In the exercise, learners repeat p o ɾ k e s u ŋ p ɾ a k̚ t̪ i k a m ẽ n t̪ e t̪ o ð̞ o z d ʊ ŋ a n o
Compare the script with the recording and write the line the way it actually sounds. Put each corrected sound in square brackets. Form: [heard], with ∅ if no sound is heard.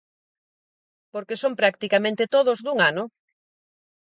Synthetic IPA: p o ɾ k e s [o] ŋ p ɾ a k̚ t̪ i k a m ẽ n t̪ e t̪ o ð̞ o z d [u] ŋ a n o

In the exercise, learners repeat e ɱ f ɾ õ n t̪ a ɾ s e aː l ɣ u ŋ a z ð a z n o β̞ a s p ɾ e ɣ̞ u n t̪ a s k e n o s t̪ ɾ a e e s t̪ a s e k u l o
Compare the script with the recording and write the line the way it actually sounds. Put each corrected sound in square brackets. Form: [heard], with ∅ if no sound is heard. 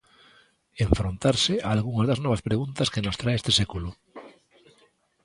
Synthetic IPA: e ɱ f ɾ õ n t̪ a ɾ s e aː l ɣ u ŋ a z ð a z n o β̞ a s p ɾ e ɣ̞ u n t̪ a s k e n o s t̪ ɾ a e e s t̪ [e] s e k u l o

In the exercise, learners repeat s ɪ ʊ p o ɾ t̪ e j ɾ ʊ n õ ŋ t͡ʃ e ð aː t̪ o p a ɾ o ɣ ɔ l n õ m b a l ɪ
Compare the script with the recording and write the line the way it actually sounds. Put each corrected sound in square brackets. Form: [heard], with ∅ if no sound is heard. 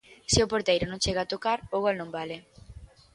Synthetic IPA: s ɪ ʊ p o ɾ t̪ e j ɾ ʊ n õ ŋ t͡ʃ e [ɣ] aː t̪ o [k] a ɾ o ɣ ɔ l n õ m b a l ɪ

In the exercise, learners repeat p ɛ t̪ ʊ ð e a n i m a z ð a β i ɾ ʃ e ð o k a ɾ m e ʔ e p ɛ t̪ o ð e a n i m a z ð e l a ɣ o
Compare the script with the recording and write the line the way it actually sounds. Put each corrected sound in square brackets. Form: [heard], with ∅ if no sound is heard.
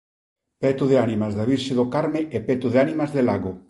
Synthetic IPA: p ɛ t̪ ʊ ð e a n i m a z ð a β i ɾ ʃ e ð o k a ɾ m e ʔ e p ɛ t̪ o ð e a n i m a z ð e l a ɣ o

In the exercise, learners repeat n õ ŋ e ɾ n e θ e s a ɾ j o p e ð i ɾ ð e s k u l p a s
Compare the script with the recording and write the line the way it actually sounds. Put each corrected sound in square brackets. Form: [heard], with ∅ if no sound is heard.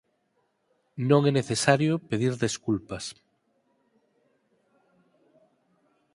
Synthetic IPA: n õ ŋ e [∅] n e θ e s a ɾ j o p e ð i ɾ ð e s k u l p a s

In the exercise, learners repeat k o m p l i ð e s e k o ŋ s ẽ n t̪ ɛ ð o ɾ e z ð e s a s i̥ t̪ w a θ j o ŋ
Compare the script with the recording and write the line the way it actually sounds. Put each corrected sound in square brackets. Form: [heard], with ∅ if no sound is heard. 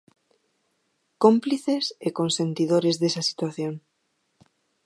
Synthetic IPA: k o m p l i [θ] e s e k o [n] s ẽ n t̪ [i] ð o ɾ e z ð e s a s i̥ t̪ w a θ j o ŋ

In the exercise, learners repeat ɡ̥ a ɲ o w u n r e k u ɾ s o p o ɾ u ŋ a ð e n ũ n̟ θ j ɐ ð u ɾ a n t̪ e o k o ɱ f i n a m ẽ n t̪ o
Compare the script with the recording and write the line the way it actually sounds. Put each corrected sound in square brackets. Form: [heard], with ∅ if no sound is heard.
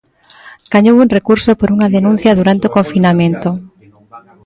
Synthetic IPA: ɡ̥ a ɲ o w u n r e k u ɾ s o p o ɾ u ŋ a ð e n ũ n̟ θ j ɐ ð u ɾ a n t̪ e o k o ɱ f i n a m ẽ n t̪ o

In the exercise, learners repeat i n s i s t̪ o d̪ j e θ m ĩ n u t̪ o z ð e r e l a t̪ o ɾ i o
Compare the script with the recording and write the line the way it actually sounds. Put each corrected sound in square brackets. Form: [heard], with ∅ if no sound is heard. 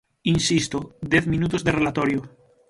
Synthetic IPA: i n s i s t̪ o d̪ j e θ m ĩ n u t̪ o z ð e r e l a t̪ o ɾ [j] o

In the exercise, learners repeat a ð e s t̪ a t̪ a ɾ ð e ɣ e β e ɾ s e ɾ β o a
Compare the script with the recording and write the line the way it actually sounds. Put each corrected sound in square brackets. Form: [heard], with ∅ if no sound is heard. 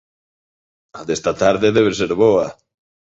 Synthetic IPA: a ð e s t̪ a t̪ a ɾ ð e [ð] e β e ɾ s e ɾ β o a

